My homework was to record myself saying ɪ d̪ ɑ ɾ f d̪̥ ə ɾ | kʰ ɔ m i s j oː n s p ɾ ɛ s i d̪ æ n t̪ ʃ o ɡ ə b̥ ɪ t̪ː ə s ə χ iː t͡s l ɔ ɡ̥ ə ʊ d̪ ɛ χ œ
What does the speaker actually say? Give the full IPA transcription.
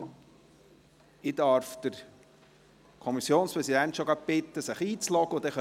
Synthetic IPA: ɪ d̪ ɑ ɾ f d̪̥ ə ɾ | kʰ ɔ m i s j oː n s p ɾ ɛ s i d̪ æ n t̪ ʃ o ɡ ɑ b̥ ɪ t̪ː ə s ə χ iː t͡s l ɔ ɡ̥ ə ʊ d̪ ɛ χ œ

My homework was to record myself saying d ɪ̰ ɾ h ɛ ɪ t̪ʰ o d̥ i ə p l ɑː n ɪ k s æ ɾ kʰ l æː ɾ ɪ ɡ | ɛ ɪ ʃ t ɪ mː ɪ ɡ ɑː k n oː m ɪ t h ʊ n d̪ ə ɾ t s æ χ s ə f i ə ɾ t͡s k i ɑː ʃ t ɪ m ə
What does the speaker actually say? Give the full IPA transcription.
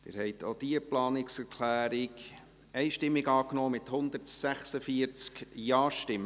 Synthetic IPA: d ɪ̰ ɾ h ɛ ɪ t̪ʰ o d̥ i ə p l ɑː n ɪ k s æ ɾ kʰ l æː ɾ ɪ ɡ | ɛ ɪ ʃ t ɪ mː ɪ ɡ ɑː k n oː m ɪ t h ʊ n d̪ ə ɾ t s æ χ s ə f i ə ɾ t͡s k j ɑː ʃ t ɪ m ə

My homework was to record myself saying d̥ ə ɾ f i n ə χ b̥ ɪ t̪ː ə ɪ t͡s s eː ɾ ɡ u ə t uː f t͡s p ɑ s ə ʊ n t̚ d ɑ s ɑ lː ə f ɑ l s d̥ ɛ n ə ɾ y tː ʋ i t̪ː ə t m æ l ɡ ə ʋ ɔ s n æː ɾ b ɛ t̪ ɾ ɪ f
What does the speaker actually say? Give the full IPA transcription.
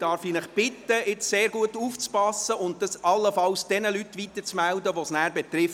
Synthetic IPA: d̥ ɑ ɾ f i n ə χ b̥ ɪ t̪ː ə ɪ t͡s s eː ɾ ɡ u ə t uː f t͡s p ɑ s ə ʊ n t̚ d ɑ s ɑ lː ə f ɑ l s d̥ ɛ n ə l y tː ʋ i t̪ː ə t͡s m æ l d ə ʋ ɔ s n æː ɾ b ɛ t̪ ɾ ɪ f

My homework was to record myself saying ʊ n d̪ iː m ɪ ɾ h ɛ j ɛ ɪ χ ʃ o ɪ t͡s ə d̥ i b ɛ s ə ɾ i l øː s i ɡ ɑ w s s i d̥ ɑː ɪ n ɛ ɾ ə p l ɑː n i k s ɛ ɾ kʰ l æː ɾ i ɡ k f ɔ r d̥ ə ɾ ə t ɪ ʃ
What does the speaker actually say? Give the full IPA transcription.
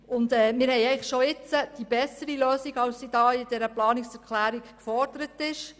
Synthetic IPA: ʊ n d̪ ɛː m ɪ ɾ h ɛ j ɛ ɪ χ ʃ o ɪ t͡s ə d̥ i b ɛ s ə ɾ i l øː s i ɡ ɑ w s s i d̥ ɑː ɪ d ɛ ɾ ə p l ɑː n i k s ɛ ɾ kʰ l æː ɾ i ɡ k f ɔ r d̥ ə ɾ ə t ɪ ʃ

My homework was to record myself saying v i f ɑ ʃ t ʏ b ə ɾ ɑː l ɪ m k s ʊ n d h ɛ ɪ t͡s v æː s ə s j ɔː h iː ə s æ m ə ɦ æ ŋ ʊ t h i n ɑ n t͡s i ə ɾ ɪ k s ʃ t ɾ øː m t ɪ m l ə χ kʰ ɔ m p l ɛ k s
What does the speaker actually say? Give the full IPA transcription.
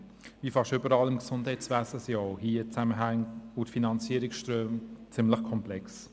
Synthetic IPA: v i f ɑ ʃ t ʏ b ə ɾ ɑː l ɪ m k s ʊ n d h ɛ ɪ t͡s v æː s ə s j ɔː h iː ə t͡s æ m ə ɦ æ ŋ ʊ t f i n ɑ n t͡s i ə ɾ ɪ k s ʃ t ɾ øː m t͡s ɪ m l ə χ kʰ ɔ m p l ɛ k s

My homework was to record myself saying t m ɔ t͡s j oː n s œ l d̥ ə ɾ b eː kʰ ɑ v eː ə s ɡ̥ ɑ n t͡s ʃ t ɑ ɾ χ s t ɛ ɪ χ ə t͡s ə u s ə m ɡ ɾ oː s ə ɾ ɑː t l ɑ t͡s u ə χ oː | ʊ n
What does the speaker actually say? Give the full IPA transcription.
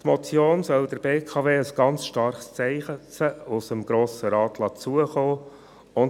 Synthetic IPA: t m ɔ t͡s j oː n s œ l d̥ ə ɾ b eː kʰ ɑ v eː ə s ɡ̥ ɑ n t͡s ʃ t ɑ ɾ χ s t͡s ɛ ɪ χ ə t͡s ə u s ə m ɡ ɾ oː s ə ɾ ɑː t l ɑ t͡s u ə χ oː | ʊ n

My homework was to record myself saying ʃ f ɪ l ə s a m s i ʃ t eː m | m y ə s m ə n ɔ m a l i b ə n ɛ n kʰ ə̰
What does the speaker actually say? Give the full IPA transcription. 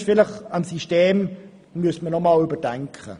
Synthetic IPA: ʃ f ɪ l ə χ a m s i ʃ t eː m | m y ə s m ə n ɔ m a l y b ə d ɛ ŋ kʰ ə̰

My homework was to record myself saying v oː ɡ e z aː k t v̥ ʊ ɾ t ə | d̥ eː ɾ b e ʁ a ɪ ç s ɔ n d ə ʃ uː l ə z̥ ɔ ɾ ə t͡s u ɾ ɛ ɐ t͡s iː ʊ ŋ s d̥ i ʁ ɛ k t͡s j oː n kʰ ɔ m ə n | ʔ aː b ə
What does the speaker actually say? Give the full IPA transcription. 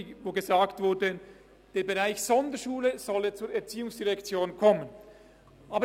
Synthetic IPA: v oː ɡ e z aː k t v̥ ʊ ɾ d ə | d̥ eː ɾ b e ʁ a ɪ ç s ɔ n d ə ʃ uː l ə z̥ ɔ l ə t͡s uː ɾ ɛ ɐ t͡s iː ʊ ŋ s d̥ i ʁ ɛ k t͡s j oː n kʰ ɔ m ə n | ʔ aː b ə

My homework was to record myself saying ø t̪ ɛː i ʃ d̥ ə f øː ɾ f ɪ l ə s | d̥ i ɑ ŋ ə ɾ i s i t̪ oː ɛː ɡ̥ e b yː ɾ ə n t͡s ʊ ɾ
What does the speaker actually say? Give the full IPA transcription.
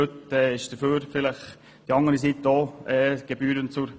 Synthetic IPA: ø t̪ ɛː ɪ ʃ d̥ ə f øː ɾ f ɪ l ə χ | d̥ i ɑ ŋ ə ɾ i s i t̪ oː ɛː ɡ̥ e b yː ɾ ə n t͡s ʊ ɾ

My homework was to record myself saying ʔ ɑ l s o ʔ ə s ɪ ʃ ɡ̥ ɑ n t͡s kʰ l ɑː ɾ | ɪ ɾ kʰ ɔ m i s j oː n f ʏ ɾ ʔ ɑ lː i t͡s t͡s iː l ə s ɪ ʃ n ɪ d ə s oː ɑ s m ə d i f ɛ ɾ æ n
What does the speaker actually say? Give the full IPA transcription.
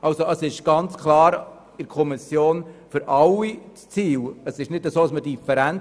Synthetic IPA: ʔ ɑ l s o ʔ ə s ɪ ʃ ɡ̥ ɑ n t͡s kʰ l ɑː ɾ | ɪ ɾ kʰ ɔ m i s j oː n f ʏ ɾ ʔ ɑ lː i t͡s t͡s iː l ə s ɪ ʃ n ɪ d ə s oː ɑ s m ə d i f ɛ ɾ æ n

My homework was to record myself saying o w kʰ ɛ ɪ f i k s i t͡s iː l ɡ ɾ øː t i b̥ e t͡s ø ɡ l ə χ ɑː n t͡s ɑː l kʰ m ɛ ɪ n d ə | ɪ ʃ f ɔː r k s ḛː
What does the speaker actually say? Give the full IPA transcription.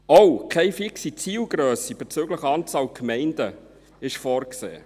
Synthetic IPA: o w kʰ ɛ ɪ f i k s i t͡s iː l ɡ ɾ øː s i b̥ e t͡s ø ɡ l ə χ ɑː n t͡s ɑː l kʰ m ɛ ɪ n d ə | ɪ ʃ f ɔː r k s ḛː

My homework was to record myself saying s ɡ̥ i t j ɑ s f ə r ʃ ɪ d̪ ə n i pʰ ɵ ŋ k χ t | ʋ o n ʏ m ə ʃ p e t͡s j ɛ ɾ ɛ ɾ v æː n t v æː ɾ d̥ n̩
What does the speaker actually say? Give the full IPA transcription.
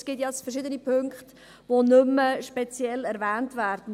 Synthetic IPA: s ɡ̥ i t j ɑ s f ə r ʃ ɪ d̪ ə n i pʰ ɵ ŋ k χ t | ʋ o n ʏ m ə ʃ p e t͡s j ɛ l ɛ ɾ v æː n t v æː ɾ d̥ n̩

